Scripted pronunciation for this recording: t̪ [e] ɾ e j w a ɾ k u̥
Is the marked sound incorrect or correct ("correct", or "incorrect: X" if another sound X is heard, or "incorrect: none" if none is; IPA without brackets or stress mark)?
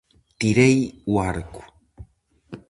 incorrect: i